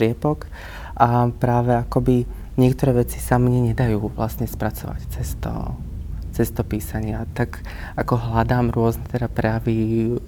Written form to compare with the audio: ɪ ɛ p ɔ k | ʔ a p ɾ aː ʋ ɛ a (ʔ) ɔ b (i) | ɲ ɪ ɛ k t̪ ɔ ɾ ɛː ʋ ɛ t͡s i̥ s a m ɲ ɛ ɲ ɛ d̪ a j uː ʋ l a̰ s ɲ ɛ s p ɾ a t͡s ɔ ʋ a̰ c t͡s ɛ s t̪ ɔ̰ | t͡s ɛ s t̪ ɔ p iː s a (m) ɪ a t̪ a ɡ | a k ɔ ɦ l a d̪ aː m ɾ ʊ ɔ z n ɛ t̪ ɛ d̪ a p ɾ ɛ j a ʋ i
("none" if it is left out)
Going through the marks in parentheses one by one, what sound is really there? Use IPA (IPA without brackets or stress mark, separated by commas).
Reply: k, i, ɲ